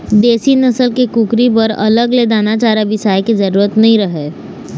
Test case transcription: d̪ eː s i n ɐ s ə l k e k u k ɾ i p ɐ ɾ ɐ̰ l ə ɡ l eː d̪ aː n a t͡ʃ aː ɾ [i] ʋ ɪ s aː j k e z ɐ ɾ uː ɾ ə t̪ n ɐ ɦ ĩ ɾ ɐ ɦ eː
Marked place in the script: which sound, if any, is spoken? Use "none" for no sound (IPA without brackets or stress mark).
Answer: a